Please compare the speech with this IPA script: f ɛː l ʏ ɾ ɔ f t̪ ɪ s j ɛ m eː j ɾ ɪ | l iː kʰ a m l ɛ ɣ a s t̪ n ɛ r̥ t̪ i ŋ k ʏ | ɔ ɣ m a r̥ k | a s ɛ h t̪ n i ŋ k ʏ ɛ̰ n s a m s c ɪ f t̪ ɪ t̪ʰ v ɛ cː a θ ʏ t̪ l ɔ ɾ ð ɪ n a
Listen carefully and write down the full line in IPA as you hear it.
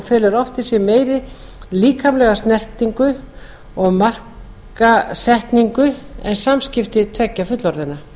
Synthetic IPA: f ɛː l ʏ ɾ ɔ f t̪ ɪ s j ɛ m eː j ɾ ɪ | l iː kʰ a m l ɛ ɣ a s t̪ n ɛ r̥ t̪ i ŋ k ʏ | ɔ ɣ m a r̥ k | a s ɛ h t̪ n i ŋ k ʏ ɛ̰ n s a m s c ɪ f t̪ ɪ t̪ʰ v ɛ cː a f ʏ t̪ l ɔ ɾ ð ɪ n a